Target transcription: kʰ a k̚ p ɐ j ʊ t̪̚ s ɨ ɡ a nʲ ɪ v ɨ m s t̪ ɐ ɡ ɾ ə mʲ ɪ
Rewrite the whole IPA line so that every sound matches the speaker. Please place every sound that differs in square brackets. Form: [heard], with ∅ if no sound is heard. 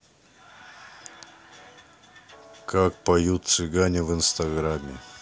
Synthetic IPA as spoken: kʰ a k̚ p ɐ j [u] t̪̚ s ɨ ɡ a nʲ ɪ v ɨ [n] s t̪ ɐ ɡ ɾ [a] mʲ ɪ